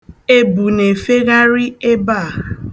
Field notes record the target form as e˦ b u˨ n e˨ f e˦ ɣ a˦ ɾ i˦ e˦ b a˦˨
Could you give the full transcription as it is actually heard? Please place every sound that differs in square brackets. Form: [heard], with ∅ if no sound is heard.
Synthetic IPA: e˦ b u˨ n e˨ f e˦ ɣ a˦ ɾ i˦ e˦ b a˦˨